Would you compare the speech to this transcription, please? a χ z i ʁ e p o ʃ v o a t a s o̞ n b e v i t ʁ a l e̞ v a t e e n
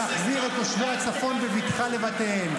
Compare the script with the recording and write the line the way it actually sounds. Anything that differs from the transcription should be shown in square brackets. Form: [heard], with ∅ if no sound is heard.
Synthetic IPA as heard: a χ z i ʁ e [t] o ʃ v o a [t͡s] a [f] o̞ n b e v i t [χ] a l e̞ v a t e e n